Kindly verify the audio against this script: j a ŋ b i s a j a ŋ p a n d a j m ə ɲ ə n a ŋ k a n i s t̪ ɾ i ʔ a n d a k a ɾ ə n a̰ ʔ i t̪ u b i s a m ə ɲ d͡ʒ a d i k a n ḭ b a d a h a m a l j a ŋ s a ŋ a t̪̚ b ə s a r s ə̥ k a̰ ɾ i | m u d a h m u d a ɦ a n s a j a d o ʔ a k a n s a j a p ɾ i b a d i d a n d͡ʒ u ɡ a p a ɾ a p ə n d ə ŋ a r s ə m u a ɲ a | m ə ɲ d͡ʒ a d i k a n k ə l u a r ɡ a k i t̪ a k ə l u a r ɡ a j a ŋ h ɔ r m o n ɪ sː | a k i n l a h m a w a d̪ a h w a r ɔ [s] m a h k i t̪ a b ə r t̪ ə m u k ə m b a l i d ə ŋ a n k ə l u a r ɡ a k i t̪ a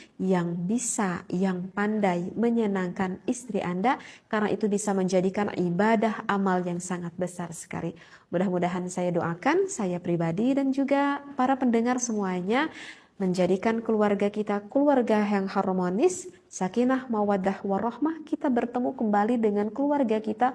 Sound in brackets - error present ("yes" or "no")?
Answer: yes